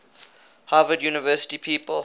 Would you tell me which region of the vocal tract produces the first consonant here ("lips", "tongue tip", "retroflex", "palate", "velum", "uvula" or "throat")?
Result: throat